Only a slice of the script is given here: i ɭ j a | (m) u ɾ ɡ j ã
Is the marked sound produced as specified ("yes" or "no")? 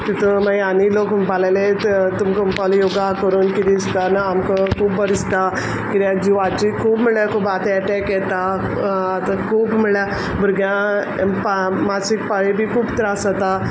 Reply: no